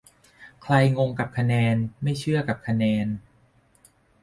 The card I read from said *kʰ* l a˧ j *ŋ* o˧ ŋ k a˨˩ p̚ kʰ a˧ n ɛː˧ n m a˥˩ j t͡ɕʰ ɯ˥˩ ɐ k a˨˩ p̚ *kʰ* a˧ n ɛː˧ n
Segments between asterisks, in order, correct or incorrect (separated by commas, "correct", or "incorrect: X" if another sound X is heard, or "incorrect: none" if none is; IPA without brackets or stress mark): correct, correct, correct